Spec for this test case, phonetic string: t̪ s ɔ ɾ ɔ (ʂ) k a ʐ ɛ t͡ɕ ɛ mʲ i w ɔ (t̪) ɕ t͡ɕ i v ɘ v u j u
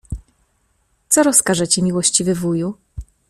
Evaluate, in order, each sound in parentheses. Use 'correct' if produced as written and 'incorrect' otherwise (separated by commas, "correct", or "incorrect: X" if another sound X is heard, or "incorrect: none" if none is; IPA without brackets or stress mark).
incorrect: s, incorrect: none